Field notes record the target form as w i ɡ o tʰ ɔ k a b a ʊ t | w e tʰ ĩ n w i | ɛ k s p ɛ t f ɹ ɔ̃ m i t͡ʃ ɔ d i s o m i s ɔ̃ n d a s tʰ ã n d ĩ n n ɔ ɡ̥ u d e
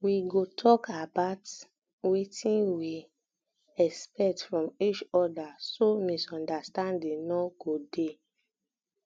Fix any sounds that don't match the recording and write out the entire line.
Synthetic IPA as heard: w i ɡ o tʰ ɔ k a b a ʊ t | w e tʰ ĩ n w i | ɛ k s p ɛ t f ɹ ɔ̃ m i t͡ʃ ɔ d a s o m i s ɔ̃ n d a s t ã n d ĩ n n ɔ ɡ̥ o d e